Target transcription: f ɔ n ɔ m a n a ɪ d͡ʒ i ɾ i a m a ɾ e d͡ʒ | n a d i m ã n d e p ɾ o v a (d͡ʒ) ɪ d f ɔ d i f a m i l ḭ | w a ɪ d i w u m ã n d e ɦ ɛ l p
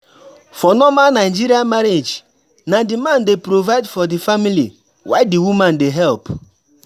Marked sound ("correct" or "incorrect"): incorrect